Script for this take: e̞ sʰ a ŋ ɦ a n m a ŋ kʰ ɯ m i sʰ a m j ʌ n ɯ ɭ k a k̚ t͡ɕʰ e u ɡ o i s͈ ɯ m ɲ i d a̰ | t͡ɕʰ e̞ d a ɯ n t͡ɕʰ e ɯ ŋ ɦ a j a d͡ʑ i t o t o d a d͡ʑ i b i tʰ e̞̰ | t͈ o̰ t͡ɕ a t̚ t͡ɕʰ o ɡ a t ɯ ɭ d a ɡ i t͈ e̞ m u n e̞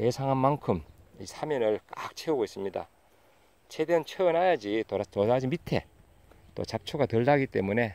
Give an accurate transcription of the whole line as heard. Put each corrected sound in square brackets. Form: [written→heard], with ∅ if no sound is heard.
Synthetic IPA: e̞ sʰ a ŋ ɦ a n m a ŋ kʰ ɯ m i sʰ a m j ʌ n ɯ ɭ k a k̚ t͡ɕʰ e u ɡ o i s͈ ɯ m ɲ i d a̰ | t͡ɕʰ e̞ d [a→e] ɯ n t͡ɕʰ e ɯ [ŋ→n] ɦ a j a d͡ʑ i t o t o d a d͡ʑ i [b→m] i tʰ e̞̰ | t͈ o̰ t͡ɕ a [t̚→p̚] t͡ɕʰ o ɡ a t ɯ ɭ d a ɡ i t͈ e̞ m u n e̞